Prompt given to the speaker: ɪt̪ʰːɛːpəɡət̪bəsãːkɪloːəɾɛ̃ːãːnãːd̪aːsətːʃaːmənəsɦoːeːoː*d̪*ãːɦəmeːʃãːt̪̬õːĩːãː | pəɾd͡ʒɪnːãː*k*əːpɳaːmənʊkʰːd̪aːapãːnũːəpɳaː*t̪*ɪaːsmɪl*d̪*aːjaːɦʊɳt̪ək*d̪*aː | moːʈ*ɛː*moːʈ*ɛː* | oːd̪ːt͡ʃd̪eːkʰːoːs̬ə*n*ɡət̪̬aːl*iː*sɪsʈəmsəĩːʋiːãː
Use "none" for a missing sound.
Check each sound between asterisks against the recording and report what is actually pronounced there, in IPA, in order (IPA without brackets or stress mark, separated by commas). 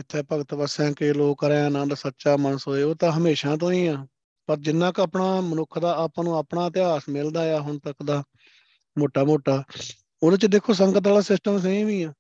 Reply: t̪, k, t̪, d̪, d̪, aː, aː, ŋ, aː